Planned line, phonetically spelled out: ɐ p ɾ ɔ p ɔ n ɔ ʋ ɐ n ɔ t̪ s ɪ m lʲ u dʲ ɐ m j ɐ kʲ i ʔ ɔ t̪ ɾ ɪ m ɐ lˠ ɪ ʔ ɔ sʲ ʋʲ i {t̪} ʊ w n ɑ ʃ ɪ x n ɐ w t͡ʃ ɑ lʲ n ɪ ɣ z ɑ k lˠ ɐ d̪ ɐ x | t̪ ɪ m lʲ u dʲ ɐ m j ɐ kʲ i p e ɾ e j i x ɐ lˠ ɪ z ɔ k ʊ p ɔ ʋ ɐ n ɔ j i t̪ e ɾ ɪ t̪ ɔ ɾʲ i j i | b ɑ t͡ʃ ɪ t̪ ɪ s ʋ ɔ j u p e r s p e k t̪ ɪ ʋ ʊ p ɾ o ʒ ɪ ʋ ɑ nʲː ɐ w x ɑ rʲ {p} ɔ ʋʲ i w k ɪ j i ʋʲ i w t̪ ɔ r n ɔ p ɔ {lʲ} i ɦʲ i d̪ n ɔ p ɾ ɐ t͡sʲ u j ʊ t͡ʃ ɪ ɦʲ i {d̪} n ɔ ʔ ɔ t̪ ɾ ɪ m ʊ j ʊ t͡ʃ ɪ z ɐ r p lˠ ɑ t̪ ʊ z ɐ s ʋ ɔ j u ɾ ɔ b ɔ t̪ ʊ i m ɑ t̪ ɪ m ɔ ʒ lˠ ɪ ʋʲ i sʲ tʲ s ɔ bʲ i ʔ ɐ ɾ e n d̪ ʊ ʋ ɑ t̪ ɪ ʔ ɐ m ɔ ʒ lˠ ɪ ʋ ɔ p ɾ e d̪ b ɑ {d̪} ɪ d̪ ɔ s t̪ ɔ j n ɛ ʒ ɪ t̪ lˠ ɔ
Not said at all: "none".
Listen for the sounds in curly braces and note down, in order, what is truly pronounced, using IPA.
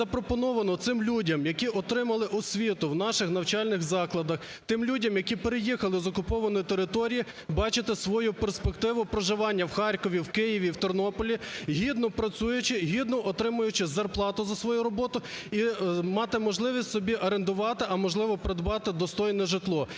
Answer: t̪, k, lʲ, d̪, t̪

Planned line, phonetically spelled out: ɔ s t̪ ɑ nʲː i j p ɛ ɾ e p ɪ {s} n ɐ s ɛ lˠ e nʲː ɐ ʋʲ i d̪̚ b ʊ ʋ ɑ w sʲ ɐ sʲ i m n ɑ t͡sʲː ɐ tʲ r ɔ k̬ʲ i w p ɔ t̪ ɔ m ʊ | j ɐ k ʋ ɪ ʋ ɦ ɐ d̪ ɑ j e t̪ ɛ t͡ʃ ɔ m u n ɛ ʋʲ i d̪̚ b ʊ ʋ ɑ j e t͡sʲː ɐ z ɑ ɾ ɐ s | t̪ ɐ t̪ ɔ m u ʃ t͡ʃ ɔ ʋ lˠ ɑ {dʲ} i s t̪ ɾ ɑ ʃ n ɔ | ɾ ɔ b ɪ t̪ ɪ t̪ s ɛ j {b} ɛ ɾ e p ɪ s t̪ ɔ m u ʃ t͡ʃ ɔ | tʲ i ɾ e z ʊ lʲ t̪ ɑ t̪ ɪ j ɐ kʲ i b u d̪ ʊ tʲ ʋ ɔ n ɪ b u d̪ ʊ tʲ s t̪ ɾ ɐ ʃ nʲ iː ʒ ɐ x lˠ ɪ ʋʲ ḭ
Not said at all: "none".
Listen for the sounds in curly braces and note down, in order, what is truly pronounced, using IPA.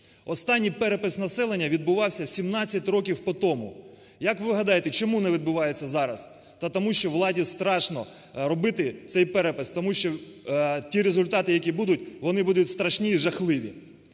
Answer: s, dʲ, p

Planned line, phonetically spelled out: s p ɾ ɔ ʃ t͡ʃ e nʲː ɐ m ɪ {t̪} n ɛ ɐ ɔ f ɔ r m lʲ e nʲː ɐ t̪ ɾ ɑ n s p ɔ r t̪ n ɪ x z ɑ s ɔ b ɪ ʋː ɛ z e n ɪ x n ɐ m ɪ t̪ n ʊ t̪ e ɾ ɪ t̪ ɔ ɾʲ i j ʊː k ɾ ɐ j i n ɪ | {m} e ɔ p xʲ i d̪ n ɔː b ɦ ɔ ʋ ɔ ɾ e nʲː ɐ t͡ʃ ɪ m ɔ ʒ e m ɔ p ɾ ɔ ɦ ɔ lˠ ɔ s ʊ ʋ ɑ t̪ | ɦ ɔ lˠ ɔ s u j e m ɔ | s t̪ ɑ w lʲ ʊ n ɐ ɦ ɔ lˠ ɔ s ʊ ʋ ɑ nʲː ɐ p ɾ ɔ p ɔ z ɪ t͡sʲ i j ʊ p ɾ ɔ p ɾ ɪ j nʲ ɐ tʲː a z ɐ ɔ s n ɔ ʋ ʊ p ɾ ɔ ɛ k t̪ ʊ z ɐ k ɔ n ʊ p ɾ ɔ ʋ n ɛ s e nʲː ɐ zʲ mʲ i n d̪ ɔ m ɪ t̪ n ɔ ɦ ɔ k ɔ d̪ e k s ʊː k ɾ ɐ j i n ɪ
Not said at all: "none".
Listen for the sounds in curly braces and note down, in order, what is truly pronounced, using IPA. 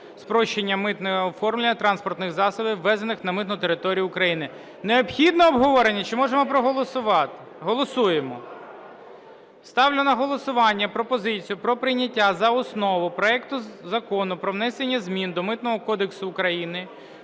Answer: t̪, n

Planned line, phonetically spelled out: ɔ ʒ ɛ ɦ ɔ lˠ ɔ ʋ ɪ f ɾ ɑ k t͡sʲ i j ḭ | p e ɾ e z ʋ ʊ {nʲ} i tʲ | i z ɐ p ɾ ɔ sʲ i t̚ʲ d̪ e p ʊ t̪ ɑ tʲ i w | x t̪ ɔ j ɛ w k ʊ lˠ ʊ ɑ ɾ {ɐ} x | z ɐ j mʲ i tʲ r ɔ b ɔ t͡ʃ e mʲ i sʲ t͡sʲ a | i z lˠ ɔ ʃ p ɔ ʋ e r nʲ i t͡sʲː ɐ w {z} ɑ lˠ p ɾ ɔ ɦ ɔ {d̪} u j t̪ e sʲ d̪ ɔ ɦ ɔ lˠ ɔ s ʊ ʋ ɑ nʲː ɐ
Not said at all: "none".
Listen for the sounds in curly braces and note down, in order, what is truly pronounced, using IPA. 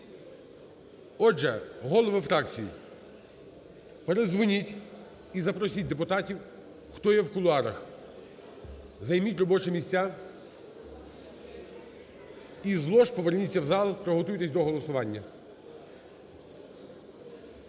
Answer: nʲ, ɐ, z, t̪

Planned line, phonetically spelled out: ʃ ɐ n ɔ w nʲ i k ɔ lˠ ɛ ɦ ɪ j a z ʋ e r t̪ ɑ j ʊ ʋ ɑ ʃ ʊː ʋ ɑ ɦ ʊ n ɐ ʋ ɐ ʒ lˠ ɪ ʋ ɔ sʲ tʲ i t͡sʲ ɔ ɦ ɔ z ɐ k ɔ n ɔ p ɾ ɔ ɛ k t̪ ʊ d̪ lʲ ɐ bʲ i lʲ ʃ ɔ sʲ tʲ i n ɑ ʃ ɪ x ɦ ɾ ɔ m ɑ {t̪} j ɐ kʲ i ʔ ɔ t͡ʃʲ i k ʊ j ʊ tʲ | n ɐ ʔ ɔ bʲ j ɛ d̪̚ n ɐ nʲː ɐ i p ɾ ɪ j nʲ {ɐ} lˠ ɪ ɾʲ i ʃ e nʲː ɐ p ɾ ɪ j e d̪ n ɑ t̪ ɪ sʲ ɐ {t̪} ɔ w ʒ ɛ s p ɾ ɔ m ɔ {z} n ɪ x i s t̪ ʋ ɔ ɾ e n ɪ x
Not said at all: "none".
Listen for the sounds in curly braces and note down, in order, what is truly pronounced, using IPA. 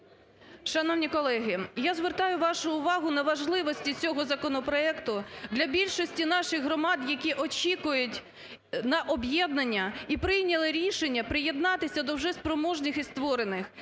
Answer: d̪, ɐ, d̪, ʒ

